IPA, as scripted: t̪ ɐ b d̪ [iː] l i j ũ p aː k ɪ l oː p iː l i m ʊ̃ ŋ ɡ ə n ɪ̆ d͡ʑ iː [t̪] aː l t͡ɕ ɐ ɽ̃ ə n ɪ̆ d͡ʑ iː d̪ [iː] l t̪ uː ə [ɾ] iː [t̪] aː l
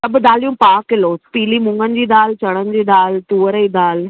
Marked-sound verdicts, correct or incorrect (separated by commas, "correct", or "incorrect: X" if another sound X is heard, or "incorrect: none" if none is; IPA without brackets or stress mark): incorrect: aː, incorrect: d̪, incorrect: aː, correct, incorrect: d̪